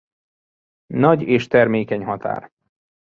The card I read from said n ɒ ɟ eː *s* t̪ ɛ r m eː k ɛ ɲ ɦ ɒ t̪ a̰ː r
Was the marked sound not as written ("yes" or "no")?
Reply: yes